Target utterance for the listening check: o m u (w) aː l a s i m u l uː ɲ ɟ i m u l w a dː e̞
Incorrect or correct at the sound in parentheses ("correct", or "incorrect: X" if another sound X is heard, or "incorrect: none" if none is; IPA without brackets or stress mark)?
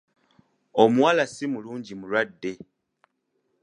correct